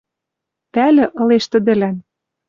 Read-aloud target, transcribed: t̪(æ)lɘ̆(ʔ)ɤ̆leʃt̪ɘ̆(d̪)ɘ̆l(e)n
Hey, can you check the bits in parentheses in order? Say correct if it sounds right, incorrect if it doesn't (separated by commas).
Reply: correct, correct, correct, incorrect